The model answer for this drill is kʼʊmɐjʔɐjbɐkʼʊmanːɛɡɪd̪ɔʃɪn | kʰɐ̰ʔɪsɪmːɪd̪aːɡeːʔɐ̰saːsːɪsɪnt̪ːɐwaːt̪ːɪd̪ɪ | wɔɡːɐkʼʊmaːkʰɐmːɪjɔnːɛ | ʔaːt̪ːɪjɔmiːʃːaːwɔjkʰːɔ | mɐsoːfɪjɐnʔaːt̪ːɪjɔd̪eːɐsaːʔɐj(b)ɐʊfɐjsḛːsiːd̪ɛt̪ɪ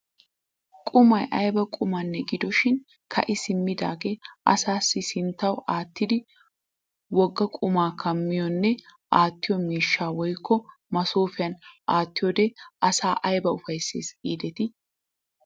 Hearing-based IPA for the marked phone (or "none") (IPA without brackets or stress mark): b